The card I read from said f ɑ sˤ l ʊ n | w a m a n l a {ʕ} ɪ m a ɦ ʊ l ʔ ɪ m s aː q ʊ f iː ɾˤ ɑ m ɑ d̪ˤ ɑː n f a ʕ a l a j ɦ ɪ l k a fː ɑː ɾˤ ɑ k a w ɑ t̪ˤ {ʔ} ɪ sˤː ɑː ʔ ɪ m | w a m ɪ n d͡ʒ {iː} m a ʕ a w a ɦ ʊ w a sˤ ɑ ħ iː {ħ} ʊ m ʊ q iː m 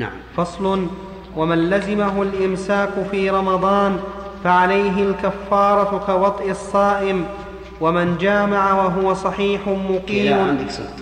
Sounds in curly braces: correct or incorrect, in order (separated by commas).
incorrect, correct, incorrect, correct